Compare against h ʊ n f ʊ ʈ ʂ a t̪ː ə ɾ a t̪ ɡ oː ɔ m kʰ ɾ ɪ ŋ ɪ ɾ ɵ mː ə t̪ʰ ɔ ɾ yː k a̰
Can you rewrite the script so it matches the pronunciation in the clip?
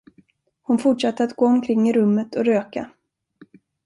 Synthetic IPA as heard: h ʊ n f ʊ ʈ ʂ a t̪ː ə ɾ a t̪ ɡ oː ɔ m kʰ ɾ ɪ ŋː ɪ ɾ ɵ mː ə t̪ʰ ɔ ɾ øː k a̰

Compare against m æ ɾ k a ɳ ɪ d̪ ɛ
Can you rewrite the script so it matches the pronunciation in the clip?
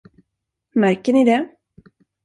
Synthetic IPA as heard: m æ ɾ k ə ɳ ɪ d̪ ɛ

